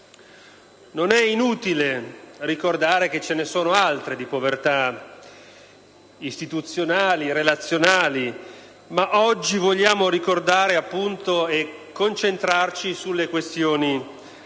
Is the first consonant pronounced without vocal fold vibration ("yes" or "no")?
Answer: no